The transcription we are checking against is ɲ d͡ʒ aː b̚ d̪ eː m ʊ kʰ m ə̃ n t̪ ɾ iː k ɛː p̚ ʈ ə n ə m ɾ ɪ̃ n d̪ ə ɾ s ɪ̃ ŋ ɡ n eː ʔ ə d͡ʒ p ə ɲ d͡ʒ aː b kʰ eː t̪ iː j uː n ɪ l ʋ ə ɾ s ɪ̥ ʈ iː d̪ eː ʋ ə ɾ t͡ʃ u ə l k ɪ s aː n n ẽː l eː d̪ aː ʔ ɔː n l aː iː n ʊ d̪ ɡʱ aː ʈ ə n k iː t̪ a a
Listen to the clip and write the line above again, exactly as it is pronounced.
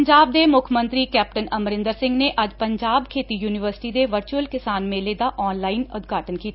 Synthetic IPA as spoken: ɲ d͡ʒ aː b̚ d̪ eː m ʊ kʰ m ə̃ n t̪ ɾ iː k ɛː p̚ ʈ ə n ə m ɾ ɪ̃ n d̪ ə ɾ s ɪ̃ ŋ ɡ n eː ʔ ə d͡ʒ p ə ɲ d͡ʒ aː b kʰ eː t̪ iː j uː n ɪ ʋ ə ɾ s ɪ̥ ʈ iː d̪ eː ʋ ə ɾ t͡ʃ u ə l k ɪ s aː n m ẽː l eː d̪ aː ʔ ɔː n l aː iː n ʊ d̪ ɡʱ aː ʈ ə n k iː t̪ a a